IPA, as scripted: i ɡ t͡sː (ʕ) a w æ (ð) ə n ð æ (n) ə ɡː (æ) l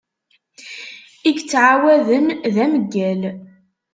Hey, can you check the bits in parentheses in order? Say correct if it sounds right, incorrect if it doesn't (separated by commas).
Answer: correct, correct, incorrect, correct